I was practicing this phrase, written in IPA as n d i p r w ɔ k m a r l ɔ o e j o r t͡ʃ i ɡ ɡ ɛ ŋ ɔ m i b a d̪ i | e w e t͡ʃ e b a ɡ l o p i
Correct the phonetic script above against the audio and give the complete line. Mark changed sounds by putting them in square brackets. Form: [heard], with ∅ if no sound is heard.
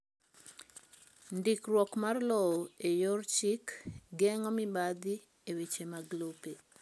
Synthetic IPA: n d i [k] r w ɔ k m a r l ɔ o e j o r t͡ʃ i [k] ɡ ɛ ŋ ɔ m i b a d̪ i | e w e t͡ʃ e [m] a ɡ l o p [e]